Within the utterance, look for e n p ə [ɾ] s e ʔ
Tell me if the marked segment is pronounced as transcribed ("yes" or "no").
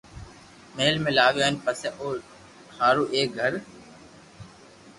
no